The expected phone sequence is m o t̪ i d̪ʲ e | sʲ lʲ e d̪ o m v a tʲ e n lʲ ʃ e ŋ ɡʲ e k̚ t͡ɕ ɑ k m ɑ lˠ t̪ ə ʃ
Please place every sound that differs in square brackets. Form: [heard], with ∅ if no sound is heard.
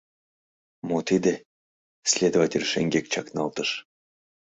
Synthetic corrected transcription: m o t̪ i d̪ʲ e | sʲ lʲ e d̪ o [∅] v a tʲ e [∅] lʲ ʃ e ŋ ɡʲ e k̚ t͡ɕ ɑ k [n] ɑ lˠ t̪ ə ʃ